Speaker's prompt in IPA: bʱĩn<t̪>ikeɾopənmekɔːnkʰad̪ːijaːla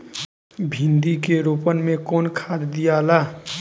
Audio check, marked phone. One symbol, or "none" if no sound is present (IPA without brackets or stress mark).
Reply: d̪